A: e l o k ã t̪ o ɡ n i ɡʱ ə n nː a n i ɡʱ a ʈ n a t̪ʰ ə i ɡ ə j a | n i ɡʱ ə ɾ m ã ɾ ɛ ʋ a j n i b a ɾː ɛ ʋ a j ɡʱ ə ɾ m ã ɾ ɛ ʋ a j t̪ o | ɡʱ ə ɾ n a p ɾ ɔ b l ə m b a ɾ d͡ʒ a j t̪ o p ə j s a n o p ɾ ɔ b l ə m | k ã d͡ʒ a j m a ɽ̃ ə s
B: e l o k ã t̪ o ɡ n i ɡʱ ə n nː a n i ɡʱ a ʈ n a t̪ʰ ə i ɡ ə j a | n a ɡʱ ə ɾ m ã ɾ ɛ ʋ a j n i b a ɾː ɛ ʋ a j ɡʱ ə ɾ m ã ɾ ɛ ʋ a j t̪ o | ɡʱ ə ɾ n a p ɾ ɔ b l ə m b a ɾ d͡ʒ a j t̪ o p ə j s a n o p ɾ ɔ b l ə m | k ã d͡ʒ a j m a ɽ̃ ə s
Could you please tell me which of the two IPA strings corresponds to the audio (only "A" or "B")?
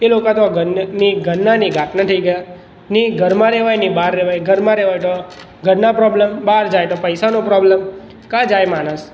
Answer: A